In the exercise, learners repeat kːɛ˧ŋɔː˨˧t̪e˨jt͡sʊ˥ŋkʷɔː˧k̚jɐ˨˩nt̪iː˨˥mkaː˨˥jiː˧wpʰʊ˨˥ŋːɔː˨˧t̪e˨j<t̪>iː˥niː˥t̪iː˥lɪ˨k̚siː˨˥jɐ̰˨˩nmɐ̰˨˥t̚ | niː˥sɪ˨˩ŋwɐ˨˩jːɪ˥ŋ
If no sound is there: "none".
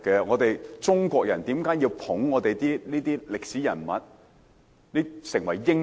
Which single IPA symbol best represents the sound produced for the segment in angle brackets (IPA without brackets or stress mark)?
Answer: t̪